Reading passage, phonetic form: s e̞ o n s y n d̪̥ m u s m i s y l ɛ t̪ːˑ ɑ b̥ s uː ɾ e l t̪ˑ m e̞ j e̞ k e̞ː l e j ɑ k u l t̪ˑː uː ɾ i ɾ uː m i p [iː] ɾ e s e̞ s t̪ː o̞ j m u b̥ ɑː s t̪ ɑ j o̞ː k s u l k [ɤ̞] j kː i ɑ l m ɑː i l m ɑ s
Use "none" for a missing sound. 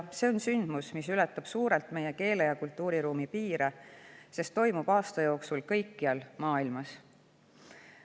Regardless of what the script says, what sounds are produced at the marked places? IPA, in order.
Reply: iː, ɤ̞

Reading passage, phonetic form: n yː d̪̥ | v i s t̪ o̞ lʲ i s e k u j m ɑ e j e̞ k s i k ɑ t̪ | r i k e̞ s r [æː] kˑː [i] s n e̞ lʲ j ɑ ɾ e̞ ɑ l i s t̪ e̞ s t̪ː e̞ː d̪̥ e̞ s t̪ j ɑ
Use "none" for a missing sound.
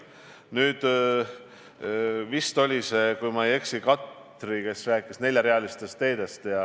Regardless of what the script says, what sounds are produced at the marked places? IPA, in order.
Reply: æː, i

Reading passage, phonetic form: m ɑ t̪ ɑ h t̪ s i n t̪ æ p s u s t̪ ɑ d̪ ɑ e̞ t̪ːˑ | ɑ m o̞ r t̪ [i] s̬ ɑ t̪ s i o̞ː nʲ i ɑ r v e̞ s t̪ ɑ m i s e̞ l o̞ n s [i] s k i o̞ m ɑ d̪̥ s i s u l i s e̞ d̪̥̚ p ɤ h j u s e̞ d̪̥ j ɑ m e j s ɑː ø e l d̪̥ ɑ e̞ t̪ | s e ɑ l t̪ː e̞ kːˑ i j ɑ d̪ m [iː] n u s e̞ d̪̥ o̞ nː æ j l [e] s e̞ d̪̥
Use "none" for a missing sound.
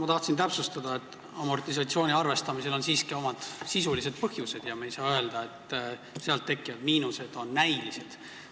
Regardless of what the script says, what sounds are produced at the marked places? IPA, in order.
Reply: i, iː, iː, i

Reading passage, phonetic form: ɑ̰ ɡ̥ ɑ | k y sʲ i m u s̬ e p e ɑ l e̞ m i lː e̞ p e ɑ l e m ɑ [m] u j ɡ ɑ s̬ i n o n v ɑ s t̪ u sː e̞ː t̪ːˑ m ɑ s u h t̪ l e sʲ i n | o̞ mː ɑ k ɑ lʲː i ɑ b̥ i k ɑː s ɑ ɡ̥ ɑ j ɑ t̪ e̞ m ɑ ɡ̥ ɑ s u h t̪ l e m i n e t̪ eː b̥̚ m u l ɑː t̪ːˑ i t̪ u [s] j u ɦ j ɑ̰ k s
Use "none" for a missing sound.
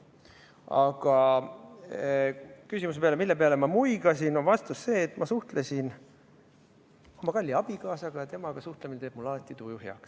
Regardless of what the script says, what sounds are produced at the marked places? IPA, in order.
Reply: m, none

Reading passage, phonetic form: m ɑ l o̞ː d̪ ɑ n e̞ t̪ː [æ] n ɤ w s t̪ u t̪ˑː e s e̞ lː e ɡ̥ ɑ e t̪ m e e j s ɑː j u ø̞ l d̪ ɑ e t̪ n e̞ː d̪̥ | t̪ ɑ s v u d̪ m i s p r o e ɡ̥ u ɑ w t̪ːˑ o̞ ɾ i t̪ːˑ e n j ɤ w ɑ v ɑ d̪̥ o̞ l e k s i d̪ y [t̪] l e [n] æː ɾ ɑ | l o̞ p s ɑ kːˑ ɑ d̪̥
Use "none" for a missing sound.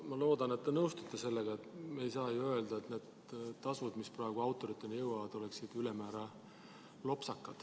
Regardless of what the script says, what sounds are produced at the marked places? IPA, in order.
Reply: e, none, m

